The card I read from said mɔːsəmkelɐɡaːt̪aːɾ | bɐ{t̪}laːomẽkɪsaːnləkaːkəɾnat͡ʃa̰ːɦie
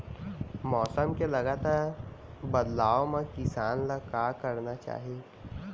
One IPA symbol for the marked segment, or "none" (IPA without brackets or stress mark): d̪